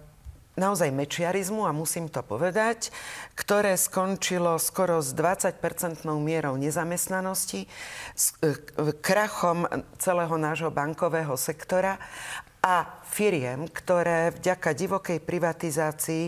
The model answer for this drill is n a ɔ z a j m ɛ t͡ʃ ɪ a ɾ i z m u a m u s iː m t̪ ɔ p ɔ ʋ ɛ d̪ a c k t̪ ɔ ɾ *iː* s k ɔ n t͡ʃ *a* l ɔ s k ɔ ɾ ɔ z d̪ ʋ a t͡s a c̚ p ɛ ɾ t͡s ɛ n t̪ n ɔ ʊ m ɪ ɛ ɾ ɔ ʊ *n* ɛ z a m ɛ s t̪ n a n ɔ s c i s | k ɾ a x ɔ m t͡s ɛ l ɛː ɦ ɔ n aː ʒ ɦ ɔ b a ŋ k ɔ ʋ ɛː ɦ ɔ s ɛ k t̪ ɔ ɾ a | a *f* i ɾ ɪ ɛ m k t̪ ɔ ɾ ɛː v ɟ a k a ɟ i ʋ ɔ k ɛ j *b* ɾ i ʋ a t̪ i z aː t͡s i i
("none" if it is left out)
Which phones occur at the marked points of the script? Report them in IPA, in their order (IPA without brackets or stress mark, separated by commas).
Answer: ɛː, i, ɲ, f, p